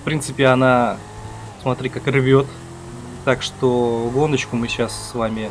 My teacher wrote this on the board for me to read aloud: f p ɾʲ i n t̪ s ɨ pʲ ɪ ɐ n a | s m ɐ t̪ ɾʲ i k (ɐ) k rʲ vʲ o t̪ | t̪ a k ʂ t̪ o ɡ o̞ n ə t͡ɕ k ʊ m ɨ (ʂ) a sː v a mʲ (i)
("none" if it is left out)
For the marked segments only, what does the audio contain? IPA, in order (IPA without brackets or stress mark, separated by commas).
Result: a, ɕ, ɪ